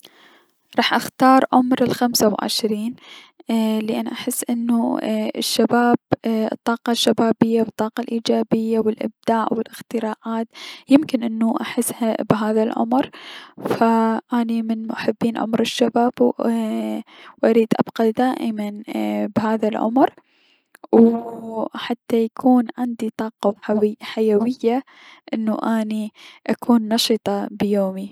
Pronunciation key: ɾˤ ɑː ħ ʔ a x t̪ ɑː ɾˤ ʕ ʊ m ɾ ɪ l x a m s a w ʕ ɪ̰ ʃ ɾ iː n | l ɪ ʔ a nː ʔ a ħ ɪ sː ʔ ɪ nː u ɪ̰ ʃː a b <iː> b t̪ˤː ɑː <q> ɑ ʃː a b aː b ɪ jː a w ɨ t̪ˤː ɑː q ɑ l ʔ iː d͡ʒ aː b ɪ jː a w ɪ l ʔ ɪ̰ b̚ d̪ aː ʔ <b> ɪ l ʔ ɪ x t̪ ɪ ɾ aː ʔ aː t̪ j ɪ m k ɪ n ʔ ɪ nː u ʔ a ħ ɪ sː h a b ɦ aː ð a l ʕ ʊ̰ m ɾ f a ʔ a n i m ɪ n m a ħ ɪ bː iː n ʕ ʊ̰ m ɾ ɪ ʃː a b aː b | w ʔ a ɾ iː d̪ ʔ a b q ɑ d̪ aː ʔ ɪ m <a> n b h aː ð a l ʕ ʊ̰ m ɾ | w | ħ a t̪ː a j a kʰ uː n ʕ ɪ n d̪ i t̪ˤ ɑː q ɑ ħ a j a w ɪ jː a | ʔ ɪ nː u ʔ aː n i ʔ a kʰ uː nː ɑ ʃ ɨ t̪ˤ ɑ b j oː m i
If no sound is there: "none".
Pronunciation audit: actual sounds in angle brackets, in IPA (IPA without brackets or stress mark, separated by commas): aː, q, w, a